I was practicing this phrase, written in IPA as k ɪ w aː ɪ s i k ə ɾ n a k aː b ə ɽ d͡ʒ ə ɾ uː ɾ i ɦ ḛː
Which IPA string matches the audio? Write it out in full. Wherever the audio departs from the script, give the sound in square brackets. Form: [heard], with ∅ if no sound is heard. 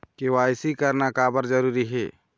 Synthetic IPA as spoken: k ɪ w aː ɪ s i k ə ɾ n a k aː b ə [ɾ] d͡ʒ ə ɾ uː ɾ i ɦ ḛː